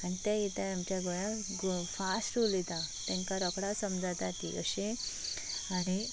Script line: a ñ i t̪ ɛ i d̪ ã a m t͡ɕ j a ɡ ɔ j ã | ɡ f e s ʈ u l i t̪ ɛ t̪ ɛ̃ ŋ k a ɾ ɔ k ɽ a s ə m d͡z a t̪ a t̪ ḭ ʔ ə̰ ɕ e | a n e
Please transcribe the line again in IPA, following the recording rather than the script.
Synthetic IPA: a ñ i t̪ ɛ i t̪ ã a m t͡ɕ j a ɡ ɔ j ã | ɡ f a s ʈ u l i t̪ a t̪ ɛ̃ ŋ k a ɾ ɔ k ɽ a s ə m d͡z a t̪ a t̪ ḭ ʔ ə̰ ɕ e | a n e